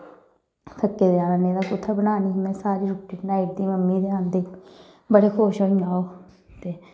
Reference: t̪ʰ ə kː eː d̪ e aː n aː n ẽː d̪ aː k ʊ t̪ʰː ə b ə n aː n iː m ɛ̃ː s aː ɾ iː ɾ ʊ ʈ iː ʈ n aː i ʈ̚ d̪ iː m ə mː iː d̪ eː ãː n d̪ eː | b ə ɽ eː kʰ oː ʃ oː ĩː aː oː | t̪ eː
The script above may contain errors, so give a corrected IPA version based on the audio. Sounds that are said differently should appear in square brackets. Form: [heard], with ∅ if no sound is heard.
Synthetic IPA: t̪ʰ ə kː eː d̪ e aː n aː n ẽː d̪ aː k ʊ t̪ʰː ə b ə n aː n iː m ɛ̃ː s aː ɾ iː ɾ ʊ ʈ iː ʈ n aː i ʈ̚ d̪ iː m ə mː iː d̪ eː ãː n d̪ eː | b ə ɽ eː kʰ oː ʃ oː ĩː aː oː | t̪ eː